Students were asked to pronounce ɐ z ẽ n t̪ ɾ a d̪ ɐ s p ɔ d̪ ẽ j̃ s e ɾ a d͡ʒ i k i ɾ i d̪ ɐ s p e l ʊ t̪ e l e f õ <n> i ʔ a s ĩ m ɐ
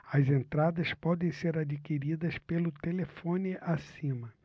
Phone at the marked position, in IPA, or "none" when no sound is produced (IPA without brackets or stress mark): n